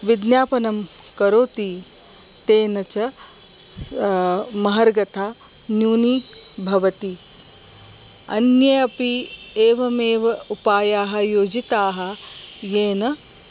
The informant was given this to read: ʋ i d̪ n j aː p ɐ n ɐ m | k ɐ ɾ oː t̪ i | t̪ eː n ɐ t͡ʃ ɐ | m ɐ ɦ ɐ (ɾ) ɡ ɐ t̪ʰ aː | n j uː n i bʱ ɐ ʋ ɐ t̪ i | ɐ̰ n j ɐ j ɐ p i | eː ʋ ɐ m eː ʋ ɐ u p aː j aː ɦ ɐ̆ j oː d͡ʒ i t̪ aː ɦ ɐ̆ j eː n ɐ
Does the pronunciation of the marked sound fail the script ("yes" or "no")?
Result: no